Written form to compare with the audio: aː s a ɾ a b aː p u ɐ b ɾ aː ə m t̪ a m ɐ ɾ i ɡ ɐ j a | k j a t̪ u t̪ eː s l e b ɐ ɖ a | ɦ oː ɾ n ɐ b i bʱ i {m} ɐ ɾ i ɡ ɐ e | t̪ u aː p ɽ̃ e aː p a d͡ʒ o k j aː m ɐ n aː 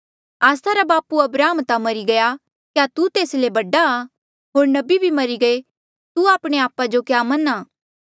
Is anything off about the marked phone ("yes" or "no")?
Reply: no